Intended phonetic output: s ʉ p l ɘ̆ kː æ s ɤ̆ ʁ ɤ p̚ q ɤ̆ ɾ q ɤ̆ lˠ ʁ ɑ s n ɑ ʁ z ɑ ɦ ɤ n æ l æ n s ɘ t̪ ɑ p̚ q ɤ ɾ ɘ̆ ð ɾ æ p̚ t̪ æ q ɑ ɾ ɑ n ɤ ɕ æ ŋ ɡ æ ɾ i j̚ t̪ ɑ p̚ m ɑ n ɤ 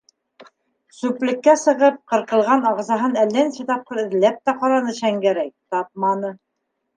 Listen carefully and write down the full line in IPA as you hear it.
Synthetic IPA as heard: s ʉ p l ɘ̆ kː æ s ɤ̆ ʁ ɤ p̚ q ɤ̆ ɾ q ɤ̆ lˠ ʁ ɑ n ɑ ʁ z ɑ ɦ ɤ n æ lː æ n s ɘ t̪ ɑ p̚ q ɤ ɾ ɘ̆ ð l æ p̚ t̪ æ q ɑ ɾ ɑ n ɤ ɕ æ ŋ ɡ æ ɾ æ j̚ t̪ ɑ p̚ m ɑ n ɤ